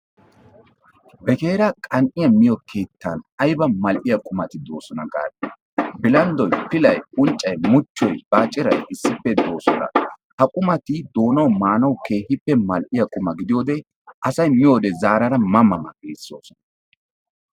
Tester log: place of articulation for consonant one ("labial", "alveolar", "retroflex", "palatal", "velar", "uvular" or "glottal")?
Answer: labial